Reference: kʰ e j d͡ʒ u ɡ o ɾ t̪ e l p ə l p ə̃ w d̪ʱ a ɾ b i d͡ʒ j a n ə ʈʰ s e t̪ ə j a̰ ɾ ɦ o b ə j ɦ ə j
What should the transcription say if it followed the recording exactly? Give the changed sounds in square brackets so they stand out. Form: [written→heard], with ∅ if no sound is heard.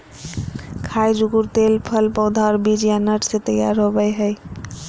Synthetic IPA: kʰ [e→a] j d͡ʒ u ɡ [o→u] ɾ t̪ e l [p→pʰ] ə l p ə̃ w d̪ʱ a ɾ b i d͡ʒ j a n ə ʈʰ s e t̪ ə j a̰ ɾ ɦ o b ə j ɦ ə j